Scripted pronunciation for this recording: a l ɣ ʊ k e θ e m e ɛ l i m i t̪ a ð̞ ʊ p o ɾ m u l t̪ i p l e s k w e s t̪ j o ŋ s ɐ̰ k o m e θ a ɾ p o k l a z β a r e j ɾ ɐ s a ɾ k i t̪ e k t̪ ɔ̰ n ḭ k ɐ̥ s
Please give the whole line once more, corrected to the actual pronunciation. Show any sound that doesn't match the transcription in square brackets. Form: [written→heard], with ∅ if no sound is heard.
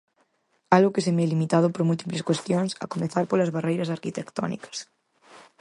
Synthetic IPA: a l ɣ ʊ k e [θ→s] e m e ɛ l i m i t̪ a ð̞ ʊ p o ɾ m u l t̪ i p l e s k w e s t̪ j o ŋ s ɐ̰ k o m e θ a ɾ p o [k→∅] l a z β a r e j ɾ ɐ s a ɾ k i t̪ e k t̪ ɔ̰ n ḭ k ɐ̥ s